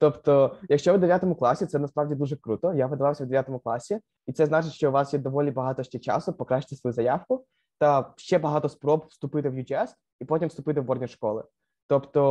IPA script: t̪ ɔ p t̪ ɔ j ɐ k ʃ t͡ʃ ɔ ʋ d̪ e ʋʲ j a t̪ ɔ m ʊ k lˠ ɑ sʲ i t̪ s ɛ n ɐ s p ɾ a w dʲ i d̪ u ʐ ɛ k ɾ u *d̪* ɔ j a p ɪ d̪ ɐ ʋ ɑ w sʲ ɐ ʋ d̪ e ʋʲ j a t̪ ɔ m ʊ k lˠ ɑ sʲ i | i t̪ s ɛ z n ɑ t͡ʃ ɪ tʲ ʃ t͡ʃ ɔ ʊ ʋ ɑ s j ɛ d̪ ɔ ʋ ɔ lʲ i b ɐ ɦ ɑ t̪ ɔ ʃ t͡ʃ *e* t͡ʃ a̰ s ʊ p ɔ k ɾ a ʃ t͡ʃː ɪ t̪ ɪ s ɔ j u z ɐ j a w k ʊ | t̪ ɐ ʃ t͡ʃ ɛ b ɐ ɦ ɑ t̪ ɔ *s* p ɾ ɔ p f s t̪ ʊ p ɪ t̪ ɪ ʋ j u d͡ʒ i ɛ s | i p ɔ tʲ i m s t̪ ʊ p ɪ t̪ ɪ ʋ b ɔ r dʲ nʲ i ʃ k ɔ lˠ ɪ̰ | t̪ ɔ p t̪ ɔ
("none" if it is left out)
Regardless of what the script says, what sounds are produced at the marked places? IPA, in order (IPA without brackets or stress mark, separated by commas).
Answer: t̪, ɛ, s